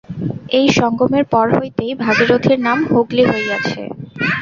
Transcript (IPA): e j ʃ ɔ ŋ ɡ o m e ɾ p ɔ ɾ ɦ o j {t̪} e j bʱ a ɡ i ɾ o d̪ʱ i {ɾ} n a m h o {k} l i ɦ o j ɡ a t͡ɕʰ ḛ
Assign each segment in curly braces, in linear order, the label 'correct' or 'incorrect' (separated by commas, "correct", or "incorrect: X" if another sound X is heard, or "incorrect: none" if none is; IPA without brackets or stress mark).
correct, correct, incorrect: ɡ